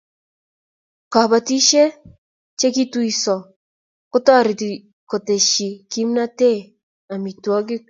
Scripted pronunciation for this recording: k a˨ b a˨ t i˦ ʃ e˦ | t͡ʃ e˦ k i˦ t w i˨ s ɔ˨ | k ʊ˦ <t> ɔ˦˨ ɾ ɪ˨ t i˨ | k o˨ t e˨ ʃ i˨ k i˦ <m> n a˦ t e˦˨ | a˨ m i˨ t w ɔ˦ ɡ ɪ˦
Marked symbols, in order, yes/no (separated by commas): yes, yes